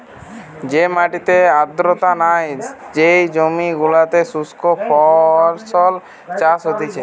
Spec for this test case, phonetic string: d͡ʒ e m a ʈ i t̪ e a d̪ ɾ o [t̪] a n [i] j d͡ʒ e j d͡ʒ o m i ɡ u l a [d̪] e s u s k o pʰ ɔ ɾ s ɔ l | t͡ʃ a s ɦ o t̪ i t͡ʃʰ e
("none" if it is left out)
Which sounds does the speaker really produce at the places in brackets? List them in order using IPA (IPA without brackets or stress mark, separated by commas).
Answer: t̪, a, t̪